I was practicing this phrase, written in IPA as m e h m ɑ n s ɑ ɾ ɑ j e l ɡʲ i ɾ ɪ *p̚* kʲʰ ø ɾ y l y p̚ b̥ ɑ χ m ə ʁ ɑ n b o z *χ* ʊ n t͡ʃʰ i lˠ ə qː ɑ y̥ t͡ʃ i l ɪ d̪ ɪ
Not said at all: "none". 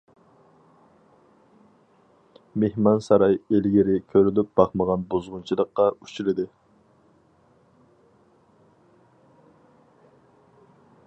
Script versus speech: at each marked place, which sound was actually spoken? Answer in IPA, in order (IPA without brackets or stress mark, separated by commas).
none, ʁ